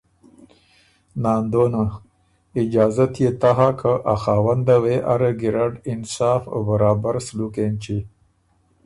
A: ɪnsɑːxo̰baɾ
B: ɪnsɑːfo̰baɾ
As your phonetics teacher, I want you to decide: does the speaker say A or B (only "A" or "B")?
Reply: B